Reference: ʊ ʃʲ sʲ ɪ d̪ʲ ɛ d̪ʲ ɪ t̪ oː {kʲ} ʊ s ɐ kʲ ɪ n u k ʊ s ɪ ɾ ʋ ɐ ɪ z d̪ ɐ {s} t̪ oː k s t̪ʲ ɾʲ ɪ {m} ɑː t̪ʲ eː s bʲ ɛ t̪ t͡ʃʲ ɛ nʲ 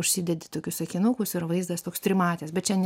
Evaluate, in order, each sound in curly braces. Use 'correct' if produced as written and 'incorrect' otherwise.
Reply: correct, correct, correct

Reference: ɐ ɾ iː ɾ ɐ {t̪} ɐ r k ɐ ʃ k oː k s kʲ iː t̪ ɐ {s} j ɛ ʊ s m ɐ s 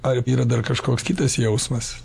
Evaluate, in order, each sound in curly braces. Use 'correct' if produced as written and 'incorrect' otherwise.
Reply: incorrect: d̪, correct

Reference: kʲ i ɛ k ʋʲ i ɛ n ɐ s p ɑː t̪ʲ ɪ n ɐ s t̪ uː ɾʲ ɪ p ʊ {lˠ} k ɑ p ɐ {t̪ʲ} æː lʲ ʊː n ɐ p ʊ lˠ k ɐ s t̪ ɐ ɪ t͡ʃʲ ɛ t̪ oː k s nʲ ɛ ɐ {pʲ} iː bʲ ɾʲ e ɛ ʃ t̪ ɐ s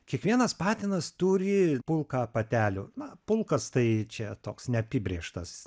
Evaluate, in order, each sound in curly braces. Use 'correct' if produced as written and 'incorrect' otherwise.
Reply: correct, correct, correct

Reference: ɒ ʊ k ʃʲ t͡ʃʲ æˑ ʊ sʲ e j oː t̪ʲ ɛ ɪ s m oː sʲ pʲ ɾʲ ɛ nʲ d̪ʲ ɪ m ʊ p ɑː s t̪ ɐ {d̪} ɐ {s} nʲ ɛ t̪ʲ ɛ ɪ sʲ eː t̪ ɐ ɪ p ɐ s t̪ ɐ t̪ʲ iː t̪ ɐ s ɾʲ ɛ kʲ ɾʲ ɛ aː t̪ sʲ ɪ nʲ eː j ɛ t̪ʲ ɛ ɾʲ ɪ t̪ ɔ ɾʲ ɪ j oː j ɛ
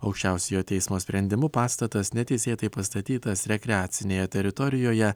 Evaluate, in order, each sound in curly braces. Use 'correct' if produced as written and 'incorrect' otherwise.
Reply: incorrect: t̪, correct

